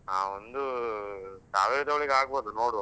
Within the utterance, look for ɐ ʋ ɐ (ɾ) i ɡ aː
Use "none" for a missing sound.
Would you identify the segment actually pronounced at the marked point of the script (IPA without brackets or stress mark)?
ɭ